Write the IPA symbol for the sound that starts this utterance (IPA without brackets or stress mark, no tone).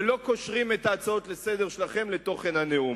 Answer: l